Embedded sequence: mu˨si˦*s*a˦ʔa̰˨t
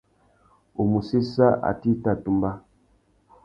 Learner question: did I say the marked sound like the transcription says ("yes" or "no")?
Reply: yes